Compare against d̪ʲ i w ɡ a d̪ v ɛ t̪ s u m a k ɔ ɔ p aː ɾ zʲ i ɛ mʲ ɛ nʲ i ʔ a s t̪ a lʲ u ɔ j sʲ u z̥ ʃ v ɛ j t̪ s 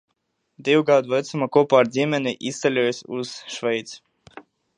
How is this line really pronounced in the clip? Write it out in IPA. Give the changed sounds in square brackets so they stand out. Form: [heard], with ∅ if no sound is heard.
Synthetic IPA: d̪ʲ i w ɡ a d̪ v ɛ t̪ s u m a k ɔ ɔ p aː ɾ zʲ i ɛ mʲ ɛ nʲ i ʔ [i] s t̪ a lʲ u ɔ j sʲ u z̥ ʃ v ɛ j t̪ s